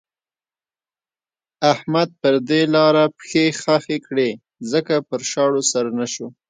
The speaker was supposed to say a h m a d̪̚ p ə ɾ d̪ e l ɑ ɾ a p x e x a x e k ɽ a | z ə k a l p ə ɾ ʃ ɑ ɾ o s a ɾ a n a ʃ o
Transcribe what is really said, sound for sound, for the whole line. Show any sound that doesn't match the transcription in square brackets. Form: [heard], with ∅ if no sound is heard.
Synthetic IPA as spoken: a h m a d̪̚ p ə ɾ d̪ e l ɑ ɾ a p x e x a x e k ɽ [e] | z ə k a [∅] p ə ɾ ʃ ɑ [ɽ] o s a ɾ a n a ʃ o